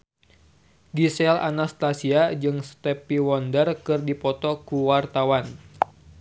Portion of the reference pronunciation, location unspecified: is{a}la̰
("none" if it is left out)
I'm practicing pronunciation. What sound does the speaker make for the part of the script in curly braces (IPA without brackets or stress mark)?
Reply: ɛ